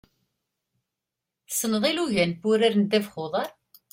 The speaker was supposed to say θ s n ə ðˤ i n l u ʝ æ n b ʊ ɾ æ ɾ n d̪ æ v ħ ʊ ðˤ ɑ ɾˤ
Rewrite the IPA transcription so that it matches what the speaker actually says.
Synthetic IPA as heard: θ s n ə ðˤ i l u ʝ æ n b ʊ ɾ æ ɾ n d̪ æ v χ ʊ ðˤ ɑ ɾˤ